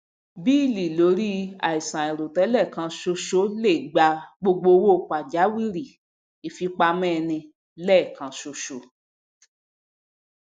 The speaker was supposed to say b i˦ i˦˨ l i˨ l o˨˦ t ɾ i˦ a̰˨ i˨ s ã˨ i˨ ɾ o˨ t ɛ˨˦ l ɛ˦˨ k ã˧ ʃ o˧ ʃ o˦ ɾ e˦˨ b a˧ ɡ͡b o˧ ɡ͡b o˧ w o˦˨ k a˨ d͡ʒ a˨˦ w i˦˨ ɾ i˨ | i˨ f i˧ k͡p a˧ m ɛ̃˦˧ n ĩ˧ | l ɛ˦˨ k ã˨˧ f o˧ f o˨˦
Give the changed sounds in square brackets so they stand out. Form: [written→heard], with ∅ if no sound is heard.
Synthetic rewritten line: b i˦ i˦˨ l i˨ l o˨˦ [t→∅] ɾ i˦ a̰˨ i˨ s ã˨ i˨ ɾ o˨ t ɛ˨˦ l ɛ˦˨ k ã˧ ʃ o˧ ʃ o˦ [ɾ→l] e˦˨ [b→ɡ͡b] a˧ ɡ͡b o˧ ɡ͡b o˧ w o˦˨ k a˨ d͡ʒ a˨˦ w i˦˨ ɾ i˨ | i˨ f i˧ k͡p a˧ m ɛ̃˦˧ n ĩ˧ | l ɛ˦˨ k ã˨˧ [f→ʃ] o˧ [f→ʃ] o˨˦